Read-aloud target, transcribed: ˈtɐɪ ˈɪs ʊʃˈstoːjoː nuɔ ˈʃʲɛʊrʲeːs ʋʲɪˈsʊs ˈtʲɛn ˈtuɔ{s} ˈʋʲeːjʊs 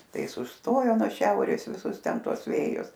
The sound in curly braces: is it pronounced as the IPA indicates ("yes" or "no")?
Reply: yes